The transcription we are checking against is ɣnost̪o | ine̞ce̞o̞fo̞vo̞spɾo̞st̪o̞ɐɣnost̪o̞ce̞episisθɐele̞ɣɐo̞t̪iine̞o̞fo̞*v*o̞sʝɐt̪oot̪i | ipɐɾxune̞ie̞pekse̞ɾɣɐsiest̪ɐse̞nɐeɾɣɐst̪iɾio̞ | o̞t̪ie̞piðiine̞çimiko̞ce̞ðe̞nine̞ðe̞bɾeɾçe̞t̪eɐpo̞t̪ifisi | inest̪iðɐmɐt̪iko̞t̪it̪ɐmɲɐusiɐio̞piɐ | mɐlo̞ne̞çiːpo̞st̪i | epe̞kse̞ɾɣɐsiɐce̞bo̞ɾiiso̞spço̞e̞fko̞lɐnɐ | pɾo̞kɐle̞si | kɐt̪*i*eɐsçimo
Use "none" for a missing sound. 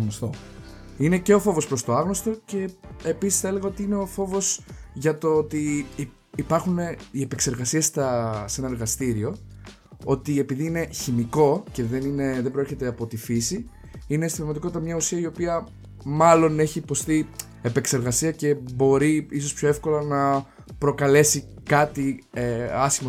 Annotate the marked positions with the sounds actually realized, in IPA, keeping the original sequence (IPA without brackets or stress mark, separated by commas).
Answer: v, i